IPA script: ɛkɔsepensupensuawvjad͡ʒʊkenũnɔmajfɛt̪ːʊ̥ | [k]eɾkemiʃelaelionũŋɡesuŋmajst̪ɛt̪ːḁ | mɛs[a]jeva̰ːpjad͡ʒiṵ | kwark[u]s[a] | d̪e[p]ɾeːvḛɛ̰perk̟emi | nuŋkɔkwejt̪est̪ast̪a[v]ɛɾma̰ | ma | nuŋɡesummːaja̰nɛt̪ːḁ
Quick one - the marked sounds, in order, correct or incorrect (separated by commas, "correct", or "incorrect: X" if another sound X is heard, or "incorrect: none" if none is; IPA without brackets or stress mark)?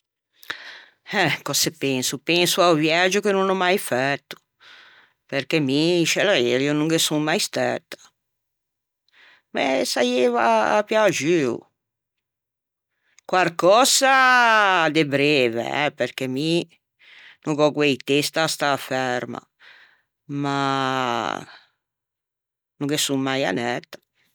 incorrect: p, correct, incorrect: ɔ, correct, incorrect: b, incorrect: f